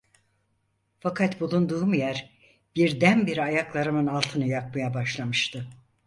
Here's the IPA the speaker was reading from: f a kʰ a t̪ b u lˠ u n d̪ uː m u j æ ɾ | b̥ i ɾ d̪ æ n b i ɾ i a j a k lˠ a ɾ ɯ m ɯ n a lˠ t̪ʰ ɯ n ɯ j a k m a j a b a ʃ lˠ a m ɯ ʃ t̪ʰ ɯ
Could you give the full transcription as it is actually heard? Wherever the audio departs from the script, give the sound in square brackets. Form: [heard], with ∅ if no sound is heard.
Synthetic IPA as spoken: f a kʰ a t̪ b u lˠ u n d̪ uː m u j æ ɾ | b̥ i ɾ d̪ æ n b i ɾ i a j a k lˠ a ɾ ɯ m ɯ n a lˠ t̪ʰ ɯ n ɯ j a k m a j a b a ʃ lˠ a m ɯ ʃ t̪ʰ ɯ